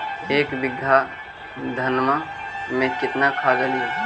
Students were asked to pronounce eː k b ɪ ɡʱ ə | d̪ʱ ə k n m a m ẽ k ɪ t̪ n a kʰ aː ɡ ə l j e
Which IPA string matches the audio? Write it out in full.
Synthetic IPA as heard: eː k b ɪ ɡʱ a | d̪ʱ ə n m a m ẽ k ɪ t̪ n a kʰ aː ɡ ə l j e